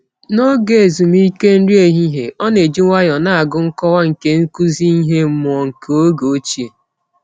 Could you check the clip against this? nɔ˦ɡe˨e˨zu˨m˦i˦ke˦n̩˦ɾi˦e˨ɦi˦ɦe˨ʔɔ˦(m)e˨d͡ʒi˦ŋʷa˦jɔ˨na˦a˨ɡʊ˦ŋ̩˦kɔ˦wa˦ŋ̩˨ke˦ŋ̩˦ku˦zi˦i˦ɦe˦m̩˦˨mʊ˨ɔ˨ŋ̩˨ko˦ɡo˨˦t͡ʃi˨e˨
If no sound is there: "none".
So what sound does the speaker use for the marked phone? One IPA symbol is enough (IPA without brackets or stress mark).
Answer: n